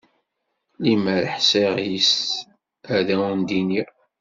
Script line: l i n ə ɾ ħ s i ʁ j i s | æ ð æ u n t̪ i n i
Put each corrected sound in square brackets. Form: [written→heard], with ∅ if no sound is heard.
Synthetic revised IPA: l i [n→m] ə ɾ ħ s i ʁ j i s | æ ð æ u n [t̪→d̪] i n i